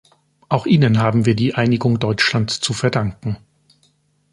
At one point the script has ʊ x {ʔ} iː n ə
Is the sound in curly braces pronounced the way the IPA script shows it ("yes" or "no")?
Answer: yes